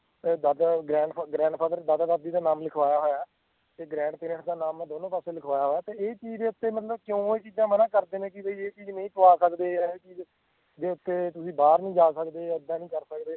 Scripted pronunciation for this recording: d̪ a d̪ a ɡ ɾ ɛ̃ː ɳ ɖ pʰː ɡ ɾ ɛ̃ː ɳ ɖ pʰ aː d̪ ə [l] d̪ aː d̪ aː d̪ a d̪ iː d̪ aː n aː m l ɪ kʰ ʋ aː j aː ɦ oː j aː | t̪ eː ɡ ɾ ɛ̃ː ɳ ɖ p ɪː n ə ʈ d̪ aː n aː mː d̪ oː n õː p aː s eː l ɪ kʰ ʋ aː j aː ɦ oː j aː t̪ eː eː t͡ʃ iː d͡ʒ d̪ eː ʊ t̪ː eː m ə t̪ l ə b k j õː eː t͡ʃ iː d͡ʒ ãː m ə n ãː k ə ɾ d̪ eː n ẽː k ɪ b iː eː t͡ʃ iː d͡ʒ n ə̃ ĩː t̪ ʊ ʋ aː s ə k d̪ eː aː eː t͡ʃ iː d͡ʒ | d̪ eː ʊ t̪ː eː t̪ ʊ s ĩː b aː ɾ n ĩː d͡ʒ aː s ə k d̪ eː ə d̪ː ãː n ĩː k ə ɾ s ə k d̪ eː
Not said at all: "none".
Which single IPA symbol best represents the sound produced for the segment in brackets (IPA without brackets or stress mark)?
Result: ɾ